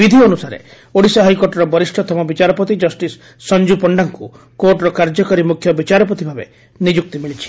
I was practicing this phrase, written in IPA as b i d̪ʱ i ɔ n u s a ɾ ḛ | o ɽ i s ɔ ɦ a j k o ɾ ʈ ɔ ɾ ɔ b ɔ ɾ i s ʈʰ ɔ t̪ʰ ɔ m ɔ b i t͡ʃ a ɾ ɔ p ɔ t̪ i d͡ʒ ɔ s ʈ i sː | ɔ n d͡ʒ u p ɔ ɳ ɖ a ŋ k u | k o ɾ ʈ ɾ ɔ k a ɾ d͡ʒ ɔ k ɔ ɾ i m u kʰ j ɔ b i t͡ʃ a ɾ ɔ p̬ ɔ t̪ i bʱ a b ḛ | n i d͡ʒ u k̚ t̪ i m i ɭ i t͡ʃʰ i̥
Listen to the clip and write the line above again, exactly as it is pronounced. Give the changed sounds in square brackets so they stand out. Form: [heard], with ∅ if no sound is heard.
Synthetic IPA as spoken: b i d̪ʱ i ɔ n u s a ɾ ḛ | o ɽ i s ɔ ɦ a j k o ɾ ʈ ɔ ɾ ɔ b ɔ ɾ i s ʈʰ ɔ t̪ʰ ɔ m ɔ b i t͡ʃ a ɾ ɔ p ɔ t̪ i d͡ʒ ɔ s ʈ i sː | ɔ n d͡ʒ u p ɔ ɳ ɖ a ŋ k u | k o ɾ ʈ ɾ ɔ k a ɾ d͡ʒ ɔ k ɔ ɾ i m u kʰ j ɔ b i t͡ʃ a ɾ ɔ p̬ ɔ t̪ i bʱ a b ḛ | n i d͡ʒ u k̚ t̪ i m i ɭ i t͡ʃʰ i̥